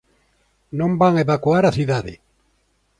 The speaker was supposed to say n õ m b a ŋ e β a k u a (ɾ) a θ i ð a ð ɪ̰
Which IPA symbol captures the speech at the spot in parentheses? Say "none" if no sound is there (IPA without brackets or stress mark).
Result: ɾ